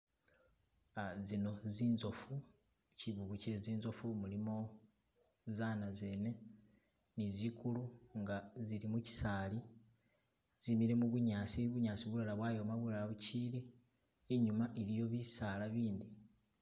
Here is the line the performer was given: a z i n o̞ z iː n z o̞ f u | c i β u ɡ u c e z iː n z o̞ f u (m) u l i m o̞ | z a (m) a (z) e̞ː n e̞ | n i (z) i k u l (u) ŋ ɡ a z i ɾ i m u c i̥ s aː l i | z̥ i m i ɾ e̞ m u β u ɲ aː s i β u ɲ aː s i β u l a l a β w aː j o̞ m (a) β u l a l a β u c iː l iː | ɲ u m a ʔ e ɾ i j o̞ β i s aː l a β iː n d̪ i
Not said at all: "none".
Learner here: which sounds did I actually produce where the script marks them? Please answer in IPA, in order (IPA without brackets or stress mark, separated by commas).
m, n, z, z, u, a